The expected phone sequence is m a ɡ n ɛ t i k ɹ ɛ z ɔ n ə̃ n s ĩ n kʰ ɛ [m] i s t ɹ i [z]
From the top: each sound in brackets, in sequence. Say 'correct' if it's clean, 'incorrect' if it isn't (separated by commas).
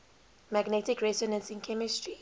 correct, incorrect